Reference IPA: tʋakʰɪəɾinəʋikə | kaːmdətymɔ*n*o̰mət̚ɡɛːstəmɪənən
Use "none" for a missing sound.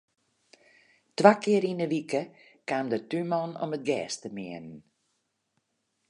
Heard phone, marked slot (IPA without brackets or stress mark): n